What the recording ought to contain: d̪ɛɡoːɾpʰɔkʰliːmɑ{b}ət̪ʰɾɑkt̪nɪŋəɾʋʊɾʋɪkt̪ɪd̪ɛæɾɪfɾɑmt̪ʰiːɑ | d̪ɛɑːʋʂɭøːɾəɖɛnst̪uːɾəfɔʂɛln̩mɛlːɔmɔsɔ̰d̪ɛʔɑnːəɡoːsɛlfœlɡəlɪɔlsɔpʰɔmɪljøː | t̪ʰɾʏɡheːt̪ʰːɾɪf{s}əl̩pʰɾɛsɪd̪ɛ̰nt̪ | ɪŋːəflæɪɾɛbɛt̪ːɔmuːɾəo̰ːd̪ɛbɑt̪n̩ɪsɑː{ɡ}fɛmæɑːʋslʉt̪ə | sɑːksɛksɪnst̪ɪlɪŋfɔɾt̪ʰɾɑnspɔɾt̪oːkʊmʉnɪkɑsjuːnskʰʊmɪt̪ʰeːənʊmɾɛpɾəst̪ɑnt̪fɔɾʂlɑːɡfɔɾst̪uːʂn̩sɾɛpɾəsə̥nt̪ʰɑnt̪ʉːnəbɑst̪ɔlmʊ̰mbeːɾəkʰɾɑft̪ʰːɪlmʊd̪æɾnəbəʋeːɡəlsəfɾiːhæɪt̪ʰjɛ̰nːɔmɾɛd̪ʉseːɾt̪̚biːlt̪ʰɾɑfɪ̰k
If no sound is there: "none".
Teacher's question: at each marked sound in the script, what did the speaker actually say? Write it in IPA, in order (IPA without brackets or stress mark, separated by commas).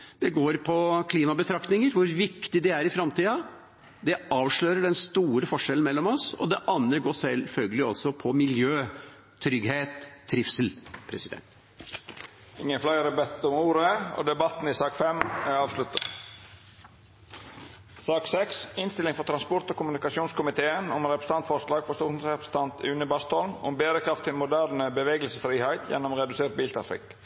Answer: b, s, k